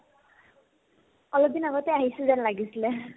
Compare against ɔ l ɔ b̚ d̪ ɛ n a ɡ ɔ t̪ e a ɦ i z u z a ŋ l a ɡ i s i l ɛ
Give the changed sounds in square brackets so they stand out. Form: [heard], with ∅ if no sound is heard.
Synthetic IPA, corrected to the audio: ɔ l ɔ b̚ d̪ [i] n a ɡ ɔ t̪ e a ɦ i [s] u z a [n] l a ɡ i s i l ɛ